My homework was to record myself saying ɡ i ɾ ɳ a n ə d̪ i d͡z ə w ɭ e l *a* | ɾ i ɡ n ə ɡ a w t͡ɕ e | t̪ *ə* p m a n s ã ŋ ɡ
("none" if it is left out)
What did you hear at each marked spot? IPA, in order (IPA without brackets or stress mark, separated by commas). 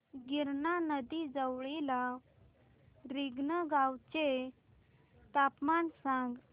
a, a